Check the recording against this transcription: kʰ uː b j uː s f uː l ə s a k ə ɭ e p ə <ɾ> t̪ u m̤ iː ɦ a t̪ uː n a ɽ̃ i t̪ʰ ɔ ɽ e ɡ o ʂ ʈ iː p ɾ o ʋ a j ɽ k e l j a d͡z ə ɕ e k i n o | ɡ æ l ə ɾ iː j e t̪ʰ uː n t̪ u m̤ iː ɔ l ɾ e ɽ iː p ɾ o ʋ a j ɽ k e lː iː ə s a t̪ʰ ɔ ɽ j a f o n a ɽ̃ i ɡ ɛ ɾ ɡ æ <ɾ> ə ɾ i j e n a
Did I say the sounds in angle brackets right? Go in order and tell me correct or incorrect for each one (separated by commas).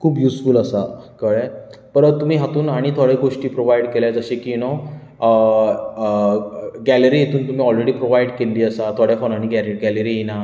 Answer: correct, incorrect